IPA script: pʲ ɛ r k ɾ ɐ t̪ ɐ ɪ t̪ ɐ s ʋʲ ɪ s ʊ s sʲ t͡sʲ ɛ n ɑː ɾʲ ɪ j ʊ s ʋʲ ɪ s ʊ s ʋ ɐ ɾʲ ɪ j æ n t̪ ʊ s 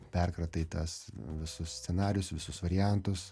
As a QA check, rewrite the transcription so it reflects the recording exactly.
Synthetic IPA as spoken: pʲ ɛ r k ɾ ɐ t̪ ɐ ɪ t̪ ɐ s ʋʲ ɪ s ʊ s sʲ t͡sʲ ɛ n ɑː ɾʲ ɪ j ʊ s ʋʲ ɪ s ʊ s ʋ ɐ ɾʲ ɪ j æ n t̪ ʊ s